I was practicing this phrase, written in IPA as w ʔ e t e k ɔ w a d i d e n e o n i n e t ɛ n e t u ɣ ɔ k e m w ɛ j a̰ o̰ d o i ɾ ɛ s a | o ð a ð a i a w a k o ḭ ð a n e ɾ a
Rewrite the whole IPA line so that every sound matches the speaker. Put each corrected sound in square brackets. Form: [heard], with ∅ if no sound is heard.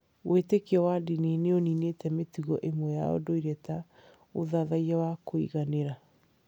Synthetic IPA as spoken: w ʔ e t e k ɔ w a d i [n] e n e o n i n e t ɛ [m] e t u ɣ ɔ [ʔ] e m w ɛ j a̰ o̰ d o i ɾ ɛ [t] a | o ð a ð a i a w a k o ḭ [ɣ] a n e ɾ a